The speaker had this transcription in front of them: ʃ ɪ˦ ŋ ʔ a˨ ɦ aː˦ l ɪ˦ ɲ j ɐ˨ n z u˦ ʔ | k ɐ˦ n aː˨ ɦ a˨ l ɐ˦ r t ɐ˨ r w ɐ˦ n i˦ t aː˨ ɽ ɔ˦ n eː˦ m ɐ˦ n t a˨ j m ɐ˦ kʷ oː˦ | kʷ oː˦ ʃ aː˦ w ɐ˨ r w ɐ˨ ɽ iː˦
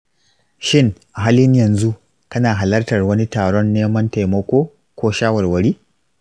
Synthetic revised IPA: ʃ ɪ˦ ŋ ʔ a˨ ɦ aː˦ l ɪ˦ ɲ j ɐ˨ n z u˦ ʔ | k ɐ˦ n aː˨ ɦ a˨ l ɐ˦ r t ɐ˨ r w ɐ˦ n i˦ t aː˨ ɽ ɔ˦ nː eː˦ m ɐ˦ n t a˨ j m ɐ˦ kʷ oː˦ | kʷ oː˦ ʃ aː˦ w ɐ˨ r w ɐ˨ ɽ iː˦